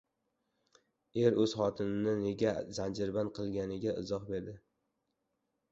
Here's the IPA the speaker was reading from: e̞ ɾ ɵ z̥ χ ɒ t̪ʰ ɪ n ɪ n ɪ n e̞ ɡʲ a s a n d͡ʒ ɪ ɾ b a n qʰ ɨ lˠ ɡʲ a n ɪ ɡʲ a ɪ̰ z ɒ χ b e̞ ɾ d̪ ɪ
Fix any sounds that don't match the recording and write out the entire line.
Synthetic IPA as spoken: e̞ ɾ ɵ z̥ χ ɒ t̪ʰ ɪ n ɪ n ɪ n e̞ ɡʲ a z a n d͡ʒ ɪ ɾ b a n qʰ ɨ lˠ ɡʲ a n ɪ ɡʲ a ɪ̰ z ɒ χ b e̞ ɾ d̪ ɪ